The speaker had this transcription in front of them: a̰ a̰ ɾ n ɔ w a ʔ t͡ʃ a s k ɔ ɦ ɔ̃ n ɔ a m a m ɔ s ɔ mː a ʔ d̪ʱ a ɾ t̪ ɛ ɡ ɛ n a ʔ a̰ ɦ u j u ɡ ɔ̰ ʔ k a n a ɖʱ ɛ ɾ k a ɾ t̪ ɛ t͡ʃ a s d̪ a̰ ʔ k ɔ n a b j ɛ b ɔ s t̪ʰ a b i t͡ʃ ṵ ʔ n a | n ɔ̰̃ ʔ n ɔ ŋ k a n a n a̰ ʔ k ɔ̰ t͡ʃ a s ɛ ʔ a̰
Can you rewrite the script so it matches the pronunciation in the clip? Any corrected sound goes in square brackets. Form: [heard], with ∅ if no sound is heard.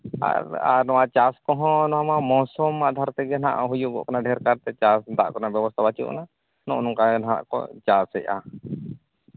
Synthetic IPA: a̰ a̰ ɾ n ɔ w a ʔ t͡ʃ a s k ɔ ɦ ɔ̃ n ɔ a m a m ɔ s ɔ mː a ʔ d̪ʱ a ɾ t̪ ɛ ɡ ɛ n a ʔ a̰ ɦ u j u ɡ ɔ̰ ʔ k a n a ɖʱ ɛ ɾ k a ɾ t̪ ɛ t͡ʃ a s d̪ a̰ ʔ k ɔ n a b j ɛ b ɔ s t̪ʰ a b [a] t͡ʃ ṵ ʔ n a | n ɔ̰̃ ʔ n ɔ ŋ k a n a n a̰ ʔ k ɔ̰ t͡ʃ a s ɛ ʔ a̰